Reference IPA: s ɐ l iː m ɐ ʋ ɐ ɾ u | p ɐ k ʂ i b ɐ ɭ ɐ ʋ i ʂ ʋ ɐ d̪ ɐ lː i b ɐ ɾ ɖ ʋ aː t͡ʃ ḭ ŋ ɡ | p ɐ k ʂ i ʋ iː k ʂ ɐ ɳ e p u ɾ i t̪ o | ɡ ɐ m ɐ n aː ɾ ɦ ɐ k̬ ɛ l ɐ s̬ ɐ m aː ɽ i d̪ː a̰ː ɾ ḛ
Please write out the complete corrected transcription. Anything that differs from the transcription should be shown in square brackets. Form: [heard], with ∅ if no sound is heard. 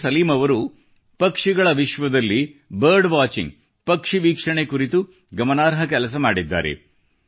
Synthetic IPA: s ɐ l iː m ɐ ʋ ɐ ɾ u | p ɐ k ʂ i [ɡ] ɐ ɭ ɐ ʋ i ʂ ʋ ɐ d̪ ɐ lː i b ɐ ɾ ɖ ʋ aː t͡ʃ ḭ ŋ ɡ | p ɐ k ʂ i ʋ iː k ʂ ɐ ɳ e [k] u ɾ i t̪ [u] | ɡ ɐ m ɐ n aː ɾ ɦ ɐ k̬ ɛ l ɐ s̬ ɐ m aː ɽ i d̪ː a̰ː ɾ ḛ

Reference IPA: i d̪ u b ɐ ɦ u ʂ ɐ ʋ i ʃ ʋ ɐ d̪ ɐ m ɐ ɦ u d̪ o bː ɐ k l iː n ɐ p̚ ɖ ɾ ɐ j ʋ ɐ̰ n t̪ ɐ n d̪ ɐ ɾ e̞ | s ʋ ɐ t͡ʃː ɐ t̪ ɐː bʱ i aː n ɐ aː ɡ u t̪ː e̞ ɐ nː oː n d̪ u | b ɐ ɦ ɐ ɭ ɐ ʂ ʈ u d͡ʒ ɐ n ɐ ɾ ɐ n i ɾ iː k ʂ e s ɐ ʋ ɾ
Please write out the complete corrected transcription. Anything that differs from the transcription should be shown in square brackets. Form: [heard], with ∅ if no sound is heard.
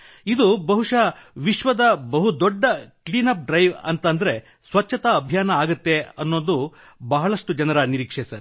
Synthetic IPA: i d̪ u b ɐ ɦ u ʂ ɐ ʋ i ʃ ʋ ɐ d̪ ɐ [b] ɐ ɦ u d̪ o [ɖː] ɐ k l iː n ɐ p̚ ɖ ɾ ɐ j ʋ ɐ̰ n t̪ ɐ n d̪ ɐ ɾ e̞ | s ʋ ɐ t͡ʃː ɐ t̪ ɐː bʱ [j] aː n ɐ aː ɡ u t̪ː e̞ ɐ nː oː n d̪ u | b ɐ ɦ ɐ ɭ ɐ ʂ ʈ u d͡ʒ ɐ n ɐ ɾ ɐ n i ɾ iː k ʂ e s ɐ [∅] ɾ

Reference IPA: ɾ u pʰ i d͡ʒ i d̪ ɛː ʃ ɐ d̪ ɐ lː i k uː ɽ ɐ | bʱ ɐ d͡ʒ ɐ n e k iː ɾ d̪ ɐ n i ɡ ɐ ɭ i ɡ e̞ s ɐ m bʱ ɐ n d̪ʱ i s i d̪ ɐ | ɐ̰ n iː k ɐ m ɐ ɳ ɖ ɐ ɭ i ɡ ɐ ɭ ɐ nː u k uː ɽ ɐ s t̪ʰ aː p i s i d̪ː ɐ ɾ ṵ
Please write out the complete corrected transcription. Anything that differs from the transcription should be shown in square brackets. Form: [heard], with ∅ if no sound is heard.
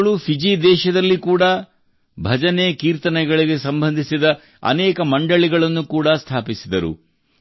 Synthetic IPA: [ɭ] u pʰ i d͡ʒ i d̪ ɛː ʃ ɐ d̪ ɐ lː i k uː ɽ ɐ | bʱ ɐ d͡ʒ ɐ n e k iː ɾ [t̪] ɐ n [ɛ] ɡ ɐ ɭ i ɡ e̞ s ɐ m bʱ ɐ n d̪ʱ i s i d̪ ɐ | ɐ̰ n [ɛː] k ɐ m ɐ ɳ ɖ ɐ ɭ i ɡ ɐ ɭ ɐ nː u k uː ɽ ɐ s t̪ʰ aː p i s i [d̪] ɐ ɾ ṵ

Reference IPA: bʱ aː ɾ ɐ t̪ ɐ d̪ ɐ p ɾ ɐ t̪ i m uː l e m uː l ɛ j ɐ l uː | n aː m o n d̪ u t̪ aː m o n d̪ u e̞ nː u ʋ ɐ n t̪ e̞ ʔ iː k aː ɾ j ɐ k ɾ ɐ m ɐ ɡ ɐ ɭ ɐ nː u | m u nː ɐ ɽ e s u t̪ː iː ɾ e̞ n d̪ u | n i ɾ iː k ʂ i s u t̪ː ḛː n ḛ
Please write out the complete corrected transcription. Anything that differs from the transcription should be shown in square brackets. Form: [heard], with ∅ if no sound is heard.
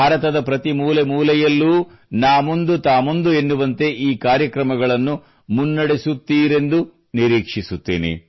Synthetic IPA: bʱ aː ɾ ɐ t̪ ɐ d̪ ɐ p ɾ ɐ t̪ i m uː l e m uː l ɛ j ɐ [lː] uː | n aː m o n d̪ u t̪ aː m o n d̪ u e̞ nː u ʋ ɐ n t̪ e̞ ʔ iː k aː ɾ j ɐ k ɾ ɐ m ɐ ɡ ɐ ɭ ɐ nː u | m u nː ɐ ɽ e s u t̪ː iː ɾ e̞ n d̪ u | n i ɾ iː k ʂ i s u t̪ː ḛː n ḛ

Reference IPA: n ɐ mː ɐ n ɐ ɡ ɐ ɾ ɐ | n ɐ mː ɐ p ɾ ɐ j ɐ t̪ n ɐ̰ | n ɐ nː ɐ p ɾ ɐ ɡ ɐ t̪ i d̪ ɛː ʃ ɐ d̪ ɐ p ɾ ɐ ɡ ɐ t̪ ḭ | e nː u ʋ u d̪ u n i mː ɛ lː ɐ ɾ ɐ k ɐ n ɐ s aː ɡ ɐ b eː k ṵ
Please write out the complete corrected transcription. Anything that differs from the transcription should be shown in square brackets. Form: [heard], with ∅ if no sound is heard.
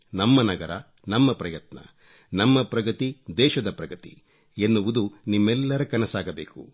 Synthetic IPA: n ɐ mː ɐ n ɐ ɡ ɐ ɾ ɐ | n ɐ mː ɐ p ɾ ɐ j ɐ t̪ n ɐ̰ | n ɐ [mː] ɐ p ɾ ɐ ɡ ɐ t̪ i d̪ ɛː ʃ ɐ d̪ ɐ p ɾ ɐ ɡ ɐ t̪ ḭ | e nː u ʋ u d̪ u n i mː ɛ lː ɐ ɾ ɐ k ɐ n ɐ s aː ɡ ɐ b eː k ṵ

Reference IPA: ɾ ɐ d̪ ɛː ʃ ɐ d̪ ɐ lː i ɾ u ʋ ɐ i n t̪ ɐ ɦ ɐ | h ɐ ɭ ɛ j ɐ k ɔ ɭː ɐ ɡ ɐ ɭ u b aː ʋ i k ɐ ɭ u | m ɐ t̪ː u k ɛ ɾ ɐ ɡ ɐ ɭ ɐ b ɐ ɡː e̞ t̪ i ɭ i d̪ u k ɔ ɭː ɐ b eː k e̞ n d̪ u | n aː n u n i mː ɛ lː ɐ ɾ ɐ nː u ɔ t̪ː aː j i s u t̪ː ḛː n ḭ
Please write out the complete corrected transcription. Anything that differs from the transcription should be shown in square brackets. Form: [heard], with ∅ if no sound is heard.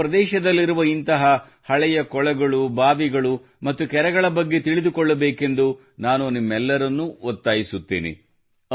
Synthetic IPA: ɾ ɐ d̪ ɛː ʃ ɐ d̪ ɐ lː i ɾ u ʋ ɐ i n t̪ ɐ ɦ ɐ | h ɐ ɭ ɛ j ɐ k ɔ [ɭ] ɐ ɡ ɐ ɭ u b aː ʋ i [ɡ] ɐ ɭ u | m ɐ t̪ː u k ɛ ɾ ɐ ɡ ɐ ɭ ɐ b ɐ ɡː e̞ t̪ i ɭ i d̪ u k ɔ ɭː ɐ b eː k e̞ n d̪ u | n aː n u n i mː ɛ lː ɐ ɾ ɐ nː u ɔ t̪ː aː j i s u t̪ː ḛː n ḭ

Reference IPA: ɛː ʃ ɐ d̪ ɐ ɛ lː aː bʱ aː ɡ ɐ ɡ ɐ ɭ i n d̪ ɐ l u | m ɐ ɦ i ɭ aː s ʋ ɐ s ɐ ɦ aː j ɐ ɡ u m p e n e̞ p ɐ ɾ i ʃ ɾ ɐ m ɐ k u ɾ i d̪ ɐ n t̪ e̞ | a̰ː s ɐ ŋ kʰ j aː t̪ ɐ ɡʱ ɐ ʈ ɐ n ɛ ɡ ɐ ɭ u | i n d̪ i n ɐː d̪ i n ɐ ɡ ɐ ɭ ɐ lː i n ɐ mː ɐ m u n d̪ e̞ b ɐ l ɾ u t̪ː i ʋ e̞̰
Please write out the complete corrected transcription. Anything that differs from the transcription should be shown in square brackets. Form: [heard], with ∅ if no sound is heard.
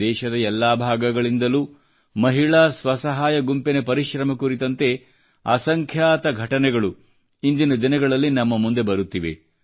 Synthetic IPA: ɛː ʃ ɐ d̪ ɐ ɛ lː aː bʱ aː ɡ ɐ ɡ ɐ ɭ i n d̪ ɐ l u | m ɐ ɦ i ɭ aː s ʋ ɐ s ɐ ɦ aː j ɐ ɡ u m p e n e̞ p ɐ ɾ i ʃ ɾ ɐ m ɐ k u ɾ i [t̪] ɐ n t̪ e̞ | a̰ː s ɐ ŋ kʰ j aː t̪ ɐ ɡʱ ɐ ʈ ɐ n ɛ ɡ ɐ ɭ u | i n d̪ i n [ɐ] d̪ i n ɐ ɡ ɐ ɭ ɐ lː i n ɐ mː ɐ m u n d̪ e̞ b ɐ [∅] ɾ u t̪ː i ʋ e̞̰

